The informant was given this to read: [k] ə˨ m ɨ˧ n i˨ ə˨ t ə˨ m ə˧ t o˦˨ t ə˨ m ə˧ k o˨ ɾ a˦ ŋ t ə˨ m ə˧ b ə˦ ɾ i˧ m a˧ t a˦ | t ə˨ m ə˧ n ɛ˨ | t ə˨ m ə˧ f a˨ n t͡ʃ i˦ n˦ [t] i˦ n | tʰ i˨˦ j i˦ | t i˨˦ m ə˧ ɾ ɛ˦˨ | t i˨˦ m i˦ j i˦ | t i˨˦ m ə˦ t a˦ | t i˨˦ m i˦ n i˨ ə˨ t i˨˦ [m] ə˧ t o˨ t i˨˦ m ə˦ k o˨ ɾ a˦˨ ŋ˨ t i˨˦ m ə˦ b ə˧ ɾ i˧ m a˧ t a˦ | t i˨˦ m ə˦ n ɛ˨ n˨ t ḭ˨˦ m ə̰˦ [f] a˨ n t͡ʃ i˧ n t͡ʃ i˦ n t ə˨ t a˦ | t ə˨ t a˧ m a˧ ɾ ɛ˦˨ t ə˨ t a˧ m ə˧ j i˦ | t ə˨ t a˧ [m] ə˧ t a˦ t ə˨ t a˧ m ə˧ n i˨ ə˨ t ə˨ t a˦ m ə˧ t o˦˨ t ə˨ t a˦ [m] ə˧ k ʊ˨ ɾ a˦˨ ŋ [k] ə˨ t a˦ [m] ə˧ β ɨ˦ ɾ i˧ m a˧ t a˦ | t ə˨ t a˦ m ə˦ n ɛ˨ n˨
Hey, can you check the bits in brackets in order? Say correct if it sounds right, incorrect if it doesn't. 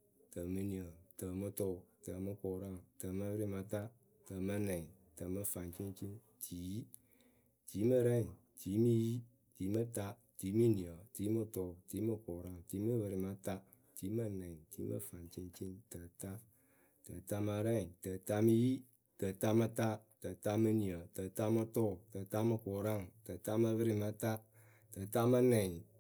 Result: incorrect: t, incorrect: t͡ʃ, correct, correct, correct, correct, incorrect: t, correct

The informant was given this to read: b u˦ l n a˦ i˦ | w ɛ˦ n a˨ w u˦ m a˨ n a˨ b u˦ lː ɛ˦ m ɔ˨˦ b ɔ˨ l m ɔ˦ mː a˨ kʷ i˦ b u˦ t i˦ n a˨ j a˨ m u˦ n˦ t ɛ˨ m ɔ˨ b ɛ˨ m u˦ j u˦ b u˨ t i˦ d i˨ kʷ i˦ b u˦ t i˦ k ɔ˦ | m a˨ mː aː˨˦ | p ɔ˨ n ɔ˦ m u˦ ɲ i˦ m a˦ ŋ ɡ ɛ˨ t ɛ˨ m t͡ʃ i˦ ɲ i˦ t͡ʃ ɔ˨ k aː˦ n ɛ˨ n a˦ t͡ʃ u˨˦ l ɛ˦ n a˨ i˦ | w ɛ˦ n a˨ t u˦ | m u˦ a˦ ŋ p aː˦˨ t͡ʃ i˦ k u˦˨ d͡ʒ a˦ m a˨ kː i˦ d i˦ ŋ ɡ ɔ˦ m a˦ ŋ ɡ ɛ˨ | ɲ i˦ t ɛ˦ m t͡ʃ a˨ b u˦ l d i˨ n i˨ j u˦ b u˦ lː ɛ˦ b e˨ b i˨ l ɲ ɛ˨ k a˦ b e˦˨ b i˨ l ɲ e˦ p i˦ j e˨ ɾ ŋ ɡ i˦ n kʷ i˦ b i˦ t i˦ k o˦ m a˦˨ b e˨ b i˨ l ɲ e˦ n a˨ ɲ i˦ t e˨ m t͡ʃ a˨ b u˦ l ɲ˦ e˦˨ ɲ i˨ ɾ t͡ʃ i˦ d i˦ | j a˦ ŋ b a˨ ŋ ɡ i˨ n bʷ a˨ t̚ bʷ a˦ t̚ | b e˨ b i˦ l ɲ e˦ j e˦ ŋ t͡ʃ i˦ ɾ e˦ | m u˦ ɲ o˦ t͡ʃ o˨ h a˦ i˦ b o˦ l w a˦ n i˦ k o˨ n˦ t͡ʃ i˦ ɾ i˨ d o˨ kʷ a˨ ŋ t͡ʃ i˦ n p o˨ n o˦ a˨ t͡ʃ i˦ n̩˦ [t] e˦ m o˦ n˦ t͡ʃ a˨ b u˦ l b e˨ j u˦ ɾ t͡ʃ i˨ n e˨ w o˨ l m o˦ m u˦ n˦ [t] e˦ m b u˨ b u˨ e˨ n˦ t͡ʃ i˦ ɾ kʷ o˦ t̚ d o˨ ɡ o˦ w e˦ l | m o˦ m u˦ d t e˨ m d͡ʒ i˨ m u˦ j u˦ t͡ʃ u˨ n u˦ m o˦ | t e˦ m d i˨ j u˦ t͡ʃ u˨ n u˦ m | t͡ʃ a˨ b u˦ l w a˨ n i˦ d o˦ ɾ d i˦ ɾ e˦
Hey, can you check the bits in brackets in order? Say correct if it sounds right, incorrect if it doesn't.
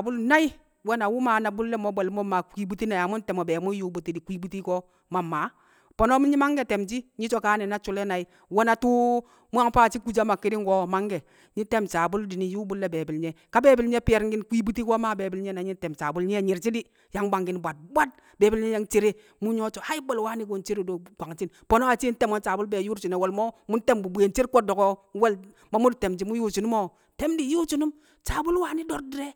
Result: correct, correct

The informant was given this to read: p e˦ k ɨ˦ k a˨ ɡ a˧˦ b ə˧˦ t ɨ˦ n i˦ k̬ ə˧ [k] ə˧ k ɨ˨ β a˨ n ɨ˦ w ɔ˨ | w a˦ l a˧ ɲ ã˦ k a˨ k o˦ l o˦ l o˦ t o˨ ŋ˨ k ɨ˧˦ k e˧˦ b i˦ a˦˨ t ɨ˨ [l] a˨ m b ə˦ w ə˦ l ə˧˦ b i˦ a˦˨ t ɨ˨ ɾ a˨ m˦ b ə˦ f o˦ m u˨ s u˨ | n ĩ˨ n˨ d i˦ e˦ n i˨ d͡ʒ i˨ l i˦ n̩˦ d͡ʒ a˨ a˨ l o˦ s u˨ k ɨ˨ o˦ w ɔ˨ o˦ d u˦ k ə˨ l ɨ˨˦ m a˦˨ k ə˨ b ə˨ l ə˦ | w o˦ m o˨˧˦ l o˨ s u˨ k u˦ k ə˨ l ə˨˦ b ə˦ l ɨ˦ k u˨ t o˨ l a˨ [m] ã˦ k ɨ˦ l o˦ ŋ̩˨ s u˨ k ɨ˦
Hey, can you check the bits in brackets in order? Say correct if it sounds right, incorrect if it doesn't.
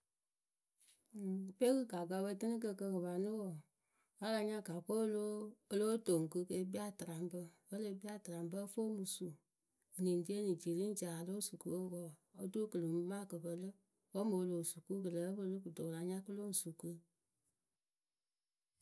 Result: correct, incorrect: ɾ, incorrect: ɲ

